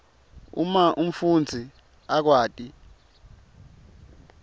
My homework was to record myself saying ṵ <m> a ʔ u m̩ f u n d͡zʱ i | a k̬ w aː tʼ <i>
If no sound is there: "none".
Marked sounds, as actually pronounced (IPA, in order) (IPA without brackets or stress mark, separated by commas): m, i